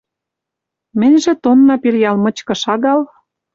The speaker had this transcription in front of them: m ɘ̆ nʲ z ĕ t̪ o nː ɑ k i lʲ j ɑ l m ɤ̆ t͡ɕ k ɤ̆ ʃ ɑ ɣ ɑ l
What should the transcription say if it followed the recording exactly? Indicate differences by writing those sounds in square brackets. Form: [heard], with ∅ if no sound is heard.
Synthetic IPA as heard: m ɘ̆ nʲ [ʒ] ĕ t̪ o nː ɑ [p] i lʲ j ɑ l m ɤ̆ t͡ɕ k ɤ̆ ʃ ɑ ɣ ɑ l